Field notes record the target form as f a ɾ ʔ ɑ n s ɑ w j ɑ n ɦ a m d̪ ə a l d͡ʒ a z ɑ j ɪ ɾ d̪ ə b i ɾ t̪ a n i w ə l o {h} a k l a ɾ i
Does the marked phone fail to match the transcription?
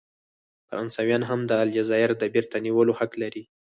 no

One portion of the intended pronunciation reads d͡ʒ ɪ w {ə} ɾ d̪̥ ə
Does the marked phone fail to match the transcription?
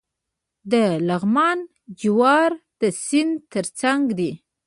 yes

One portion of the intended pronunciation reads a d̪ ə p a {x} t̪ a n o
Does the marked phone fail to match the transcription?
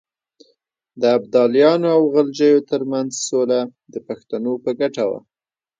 no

